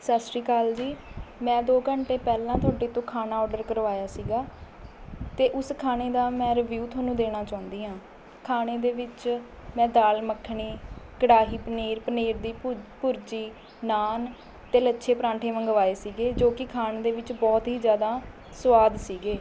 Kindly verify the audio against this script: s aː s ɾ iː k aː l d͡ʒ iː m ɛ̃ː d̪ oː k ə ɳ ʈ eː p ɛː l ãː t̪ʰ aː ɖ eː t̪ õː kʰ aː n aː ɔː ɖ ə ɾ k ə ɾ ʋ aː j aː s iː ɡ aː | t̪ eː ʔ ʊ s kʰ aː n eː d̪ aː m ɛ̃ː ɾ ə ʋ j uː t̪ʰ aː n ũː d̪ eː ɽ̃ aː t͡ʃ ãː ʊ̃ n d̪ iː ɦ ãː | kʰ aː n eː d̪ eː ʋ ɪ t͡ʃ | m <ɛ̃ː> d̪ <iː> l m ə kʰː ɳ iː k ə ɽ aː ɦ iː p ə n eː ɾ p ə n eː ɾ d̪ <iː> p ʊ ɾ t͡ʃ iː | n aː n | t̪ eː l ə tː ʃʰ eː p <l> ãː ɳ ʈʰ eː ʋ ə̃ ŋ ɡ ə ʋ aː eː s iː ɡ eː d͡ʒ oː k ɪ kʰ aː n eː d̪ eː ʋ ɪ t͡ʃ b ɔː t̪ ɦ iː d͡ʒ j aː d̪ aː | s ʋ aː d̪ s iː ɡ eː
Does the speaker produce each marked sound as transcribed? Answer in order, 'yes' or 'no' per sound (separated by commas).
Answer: yes, no, yes, no